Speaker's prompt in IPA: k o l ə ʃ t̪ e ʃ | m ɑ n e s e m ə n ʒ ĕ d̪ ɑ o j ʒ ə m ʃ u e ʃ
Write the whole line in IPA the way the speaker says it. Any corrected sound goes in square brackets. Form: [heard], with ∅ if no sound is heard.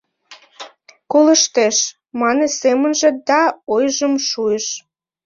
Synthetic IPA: k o l ə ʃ t̪ e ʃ | m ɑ n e s e m ə n ʒ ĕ d̪ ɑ o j ʒ ə m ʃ u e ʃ